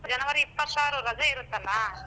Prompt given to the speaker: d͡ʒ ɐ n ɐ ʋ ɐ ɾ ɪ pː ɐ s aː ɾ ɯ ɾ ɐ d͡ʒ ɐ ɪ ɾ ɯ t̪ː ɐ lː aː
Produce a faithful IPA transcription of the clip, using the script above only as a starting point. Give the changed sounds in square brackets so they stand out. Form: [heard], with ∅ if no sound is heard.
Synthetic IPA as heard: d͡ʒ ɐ n ɐ ʋ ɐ ɾ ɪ pː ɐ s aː ɾ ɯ ɾ ɐ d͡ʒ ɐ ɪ ɾ ɯ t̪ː ɐ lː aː